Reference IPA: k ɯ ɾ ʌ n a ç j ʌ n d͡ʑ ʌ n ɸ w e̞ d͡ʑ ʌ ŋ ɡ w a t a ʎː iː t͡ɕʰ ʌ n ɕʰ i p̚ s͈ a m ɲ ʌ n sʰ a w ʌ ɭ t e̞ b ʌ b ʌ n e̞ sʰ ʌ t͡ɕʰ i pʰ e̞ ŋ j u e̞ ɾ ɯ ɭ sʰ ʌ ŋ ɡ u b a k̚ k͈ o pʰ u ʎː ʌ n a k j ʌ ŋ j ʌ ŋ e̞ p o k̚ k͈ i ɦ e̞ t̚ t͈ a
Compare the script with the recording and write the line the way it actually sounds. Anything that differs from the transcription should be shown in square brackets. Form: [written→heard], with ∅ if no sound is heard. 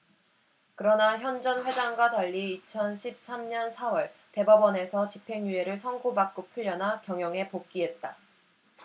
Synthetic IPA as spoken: k ɯ ɾ ʌ n a ç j ʌ n d͡ʑ ʌ n ɸ w e̞ d͡ʑ [ʌ→a] ŋ ɡ w a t a ʎː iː t͡ɕʰ ʌ n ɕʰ i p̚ s͈ a m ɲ ʌ n sʰ a w ʌ ɭ t e̞ b ʌ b ʌ n e̞ sʰ ʌ [t͡ɕʰ→t͡ɕ] i pʰ e̞ ŋ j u e̞ ɾ ɯ ɭ sʰ ʌ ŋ ɡ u b a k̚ k͈ o pʰ u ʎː ʌ n a k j ʌ ŋ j ʌ ŋ e̞ p o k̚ k͈ i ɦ e̞ t̚ t͈ a